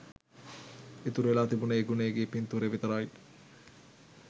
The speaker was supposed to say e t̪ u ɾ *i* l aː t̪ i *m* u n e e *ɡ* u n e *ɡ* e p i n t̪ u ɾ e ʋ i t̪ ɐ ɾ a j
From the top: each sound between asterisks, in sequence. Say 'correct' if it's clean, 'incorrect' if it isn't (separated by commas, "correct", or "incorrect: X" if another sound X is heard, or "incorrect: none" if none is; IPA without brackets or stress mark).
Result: incorrect: e, incorrect: b, correct, correct